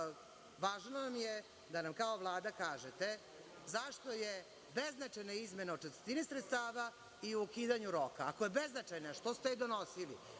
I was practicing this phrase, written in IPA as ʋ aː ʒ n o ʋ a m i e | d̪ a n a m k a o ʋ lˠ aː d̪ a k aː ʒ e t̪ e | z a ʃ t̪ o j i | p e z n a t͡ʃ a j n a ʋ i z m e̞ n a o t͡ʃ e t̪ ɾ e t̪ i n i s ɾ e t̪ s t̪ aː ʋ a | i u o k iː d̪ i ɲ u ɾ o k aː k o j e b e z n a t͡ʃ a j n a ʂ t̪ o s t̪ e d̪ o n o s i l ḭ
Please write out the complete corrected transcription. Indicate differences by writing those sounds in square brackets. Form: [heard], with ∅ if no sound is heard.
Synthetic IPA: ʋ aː ʒ n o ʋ a m [j] e | d̪ a n a m k a o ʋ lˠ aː d̪ a k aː ʒ e t̪ e | z a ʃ t̪ o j [e] | [b] e z n a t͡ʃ a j n a [∅] i z m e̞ n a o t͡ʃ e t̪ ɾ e t̪ i n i s ɾ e t̪ s t̪ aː ʋ a | i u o k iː d̪ [a] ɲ u ɾ o k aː k o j e b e z n a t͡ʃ a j n a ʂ t̪ o s t̪ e d̪ o n o s i l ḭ

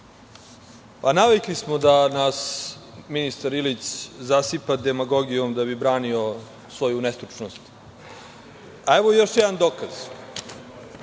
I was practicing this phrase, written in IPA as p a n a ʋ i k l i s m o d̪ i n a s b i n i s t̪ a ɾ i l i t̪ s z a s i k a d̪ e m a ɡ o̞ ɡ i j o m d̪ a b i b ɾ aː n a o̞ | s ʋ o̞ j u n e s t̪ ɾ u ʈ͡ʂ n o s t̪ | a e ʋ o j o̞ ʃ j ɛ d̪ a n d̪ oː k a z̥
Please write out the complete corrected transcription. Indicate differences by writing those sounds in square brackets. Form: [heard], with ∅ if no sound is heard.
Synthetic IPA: p a n a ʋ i k l i s m o d̪ [a] n a s [m] i n i s t̪ a ɾ i l i t̪ s z a s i [p] a d̪ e m a ɡ o̞ ɡ i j o m d̪ a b i b ɾ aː n [i] o̞ | s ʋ o̞ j u n e s t̪ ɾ u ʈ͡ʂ n o s t̪ | a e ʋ o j o̞ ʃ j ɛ d̪ a n d̪ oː k a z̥

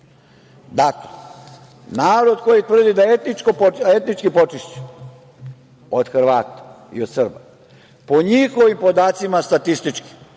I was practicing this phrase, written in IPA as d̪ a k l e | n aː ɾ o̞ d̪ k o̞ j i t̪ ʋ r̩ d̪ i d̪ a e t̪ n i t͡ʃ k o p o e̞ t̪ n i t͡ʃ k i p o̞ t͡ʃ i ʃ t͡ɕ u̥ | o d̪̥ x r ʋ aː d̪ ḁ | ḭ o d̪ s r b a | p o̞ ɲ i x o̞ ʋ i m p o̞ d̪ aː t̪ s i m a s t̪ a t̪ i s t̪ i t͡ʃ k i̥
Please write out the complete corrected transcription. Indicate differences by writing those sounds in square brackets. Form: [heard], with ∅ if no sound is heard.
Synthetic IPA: d̪ a k l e | n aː ɾ o̞ d̪ k o̞ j i t̪ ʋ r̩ d̪ i d̪ a e t̪ n i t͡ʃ k o p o e̞ t̪ n i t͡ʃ k i p o̞ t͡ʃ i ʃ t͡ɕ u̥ | o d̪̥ x r ʋ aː [t̪] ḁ | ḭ o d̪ s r b a | p o̞ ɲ i x o̞ ʋ i m p o̞ d̪ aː t̪ s i m a s t̪ a t̪ i s t̪ i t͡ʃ k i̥

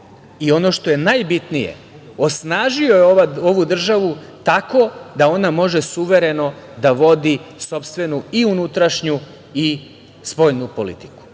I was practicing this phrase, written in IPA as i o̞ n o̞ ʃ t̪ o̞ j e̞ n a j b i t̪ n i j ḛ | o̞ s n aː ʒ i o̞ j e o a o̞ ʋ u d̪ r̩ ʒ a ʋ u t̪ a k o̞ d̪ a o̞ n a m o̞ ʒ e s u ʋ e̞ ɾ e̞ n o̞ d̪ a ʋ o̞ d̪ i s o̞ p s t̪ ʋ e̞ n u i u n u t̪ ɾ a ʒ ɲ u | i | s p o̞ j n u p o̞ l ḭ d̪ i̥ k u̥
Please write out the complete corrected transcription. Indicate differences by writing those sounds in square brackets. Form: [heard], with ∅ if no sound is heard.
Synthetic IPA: i o̞ n o̞ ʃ t̪ o̞ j e̞ n a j b i t̪ n i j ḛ | o̞ s n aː ʒ i o̞ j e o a o̞ ʋ u d̪ r̩ ʒ a ʋ u t̪ a k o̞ d̪ a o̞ n a m o̞ ʒ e s u ʋ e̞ ɾ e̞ n o̞ d̪ a ʋ o̞ d̪ i s o̞ p s t̪ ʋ e̞ n u i u n u t̪ ɾ a [ʃ] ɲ u | i | s p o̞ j n u p o̞ l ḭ [t̪] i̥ k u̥

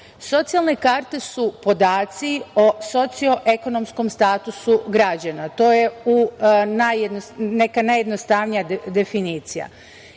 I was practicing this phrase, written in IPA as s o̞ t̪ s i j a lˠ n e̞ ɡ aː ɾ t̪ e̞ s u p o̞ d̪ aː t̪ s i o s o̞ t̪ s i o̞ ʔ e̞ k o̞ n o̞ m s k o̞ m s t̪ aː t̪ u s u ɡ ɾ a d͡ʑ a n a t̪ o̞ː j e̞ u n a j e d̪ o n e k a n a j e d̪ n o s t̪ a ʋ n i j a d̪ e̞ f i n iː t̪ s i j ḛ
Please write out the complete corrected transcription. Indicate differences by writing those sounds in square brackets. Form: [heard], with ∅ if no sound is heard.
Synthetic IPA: s o̞ t̪ s i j a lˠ n e̞ [k] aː ɾ t̪ e̞ s u p o̞ d̪ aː t̪ s i o s o̞ t̪ s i o̞ ʔ e̞ k o̞ n o̞ m s k o̞ m s t̪ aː t̪ u s u ɡ ɾ a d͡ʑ a n a t̪ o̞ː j e̞ u n a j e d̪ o n e k a n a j e d̪ n o s t̪ a ʋ n i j a d̪ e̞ f i n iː t̪ s i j [a̰]

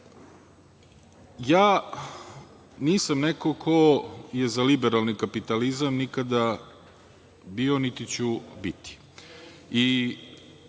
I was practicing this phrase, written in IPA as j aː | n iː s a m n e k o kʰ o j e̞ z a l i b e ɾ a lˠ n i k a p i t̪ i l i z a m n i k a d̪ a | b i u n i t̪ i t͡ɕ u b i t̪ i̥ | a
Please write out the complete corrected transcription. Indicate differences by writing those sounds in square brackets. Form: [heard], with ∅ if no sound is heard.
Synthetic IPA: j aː | n iː s a m n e k o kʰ o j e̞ z a l i b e ɾ a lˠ n i k a p i t̪ [a] l i z a m n i k a d̪ a | b i [o] n i t̪ i t͡ɕ u b i t̪ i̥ | [i]

